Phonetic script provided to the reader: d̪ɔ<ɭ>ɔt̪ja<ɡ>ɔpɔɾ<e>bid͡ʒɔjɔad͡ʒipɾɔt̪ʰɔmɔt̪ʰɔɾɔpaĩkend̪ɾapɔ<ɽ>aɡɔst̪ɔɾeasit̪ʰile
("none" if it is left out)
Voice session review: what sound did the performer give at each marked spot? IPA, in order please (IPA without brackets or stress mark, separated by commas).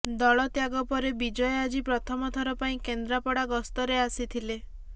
ɭ, ɡ, e, ɽ